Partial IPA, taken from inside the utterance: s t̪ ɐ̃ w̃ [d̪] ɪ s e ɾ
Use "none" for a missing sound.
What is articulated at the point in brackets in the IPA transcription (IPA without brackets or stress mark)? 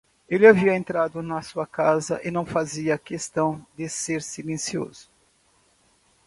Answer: d̪